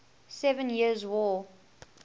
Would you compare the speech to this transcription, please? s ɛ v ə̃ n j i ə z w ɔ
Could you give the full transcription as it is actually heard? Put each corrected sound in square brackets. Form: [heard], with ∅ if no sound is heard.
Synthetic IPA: s ɛ v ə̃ n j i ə z w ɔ